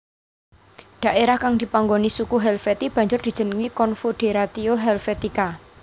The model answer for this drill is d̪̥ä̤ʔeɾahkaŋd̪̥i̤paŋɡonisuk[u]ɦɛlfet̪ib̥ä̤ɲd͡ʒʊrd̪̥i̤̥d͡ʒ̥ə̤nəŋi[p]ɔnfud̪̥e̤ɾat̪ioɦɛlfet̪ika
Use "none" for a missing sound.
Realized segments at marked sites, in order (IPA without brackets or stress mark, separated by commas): u, k